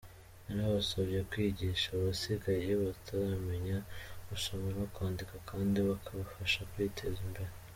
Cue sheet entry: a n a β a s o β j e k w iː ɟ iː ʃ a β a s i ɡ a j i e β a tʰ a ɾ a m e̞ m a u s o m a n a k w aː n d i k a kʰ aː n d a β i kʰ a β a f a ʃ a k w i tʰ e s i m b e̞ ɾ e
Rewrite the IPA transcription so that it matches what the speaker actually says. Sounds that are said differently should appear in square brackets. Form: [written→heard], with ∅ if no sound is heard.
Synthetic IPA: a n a β a s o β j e k w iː ɟ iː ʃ a β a s i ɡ a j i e β a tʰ a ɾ a m e̞ [m→ɲ] a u s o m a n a k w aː n d i k a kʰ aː n d [a→i] β [i→a] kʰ a β a f a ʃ a k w i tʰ e [s→z] i m b e̞ ɾ e